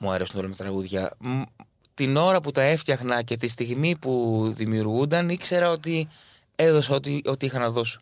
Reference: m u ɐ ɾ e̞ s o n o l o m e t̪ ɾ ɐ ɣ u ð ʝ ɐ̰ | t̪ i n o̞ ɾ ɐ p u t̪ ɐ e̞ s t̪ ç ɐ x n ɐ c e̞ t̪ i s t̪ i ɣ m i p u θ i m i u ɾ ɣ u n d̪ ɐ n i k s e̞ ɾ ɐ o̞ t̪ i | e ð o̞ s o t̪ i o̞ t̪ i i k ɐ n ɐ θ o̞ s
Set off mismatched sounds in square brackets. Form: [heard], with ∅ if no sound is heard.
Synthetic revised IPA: m u ɐ ɾ e̞ s [u] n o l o m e t̪ ɾ ɐ ɣ u ð ʝ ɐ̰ | t̪ i n o̞ ɾ ɐ p u t̪ ɐ e̞ [f] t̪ ç ɐ x n ɐ c e̞ t̪ i s t̪ i ɣ m i p u [ð] i m i u ɾ ɣ u n d̪ ɐ n i k s e̞ ɾ ɐ o̞ t̪ i | e ð o̞ s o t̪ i o̞ t̪ i i [x] ɐ n ɐ [ð] o̞ s